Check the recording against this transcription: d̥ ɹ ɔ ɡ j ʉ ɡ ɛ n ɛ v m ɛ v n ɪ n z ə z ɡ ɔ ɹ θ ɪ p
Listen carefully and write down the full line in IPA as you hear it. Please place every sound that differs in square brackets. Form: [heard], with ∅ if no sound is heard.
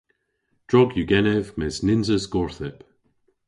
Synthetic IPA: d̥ ɹ ɔ ɡ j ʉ ɡ ɛ n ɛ v m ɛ [z] n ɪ n z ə z ɡ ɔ ɹ θ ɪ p